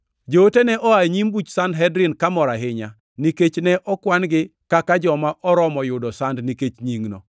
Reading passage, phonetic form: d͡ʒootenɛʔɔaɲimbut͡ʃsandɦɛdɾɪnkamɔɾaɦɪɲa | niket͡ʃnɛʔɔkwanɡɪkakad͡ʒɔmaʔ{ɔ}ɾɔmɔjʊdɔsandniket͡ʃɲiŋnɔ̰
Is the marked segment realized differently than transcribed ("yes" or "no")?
no